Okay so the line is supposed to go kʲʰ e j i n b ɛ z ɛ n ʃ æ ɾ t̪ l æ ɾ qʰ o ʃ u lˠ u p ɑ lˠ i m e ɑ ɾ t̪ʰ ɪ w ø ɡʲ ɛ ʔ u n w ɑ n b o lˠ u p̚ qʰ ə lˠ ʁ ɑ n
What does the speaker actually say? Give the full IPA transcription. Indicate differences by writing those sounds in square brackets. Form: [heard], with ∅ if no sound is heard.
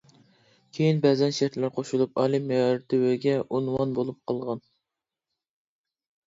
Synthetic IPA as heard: kʲʰ e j i n b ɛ z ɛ n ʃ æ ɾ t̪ l æ ɾ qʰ o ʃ u lˠ u p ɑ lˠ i m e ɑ ɾ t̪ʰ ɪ w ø ɡʲ ɛ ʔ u n w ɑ n b o lˠ u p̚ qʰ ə lˠ ʁ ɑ n